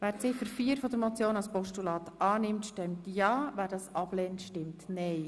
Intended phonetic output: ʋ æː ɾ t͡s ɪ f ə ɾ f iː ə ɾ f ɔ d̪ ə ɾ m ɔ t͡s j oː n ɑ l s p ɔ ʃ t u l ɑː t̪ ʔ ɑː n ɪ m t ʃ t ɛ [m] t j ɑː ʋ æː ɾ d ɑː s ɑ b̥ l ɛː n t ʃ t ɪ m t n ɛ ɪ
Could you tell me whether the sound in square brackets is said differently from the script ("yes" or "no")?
no